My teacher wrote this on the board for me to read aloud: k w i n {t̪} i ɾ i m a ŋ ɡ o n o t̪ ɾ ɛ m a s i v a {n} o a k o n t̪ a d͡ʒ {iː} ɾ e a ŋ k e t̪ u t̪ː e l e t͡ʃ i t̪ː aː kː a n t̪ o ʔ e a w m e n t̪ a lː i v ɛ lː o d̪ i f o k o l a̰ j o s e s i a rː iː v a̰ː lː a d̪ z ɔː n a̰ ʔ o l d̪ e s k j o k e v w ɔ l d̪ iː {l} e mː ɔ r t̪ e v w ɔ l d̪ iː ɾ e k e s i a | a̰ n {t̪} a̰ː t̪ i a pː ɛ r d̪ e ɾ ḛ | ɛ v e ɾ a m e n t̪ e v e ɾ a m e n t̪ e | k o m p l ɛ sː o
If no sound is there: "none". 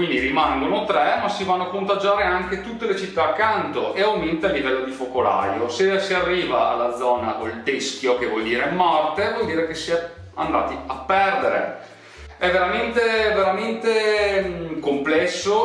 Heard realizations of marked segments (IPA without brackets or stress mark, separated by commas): d̪, nː, aː, ɾ, d̪